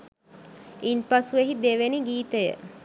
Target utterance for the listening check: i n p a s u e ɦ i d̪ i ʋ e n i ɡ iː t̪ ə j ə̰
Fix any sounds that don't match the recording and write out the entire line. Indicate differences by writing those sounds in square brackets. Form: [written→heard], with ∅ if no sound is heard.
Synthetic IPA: i n p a s u e ɦ i d̪ [i→e] ʋ e n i ɡ iː t̪ ə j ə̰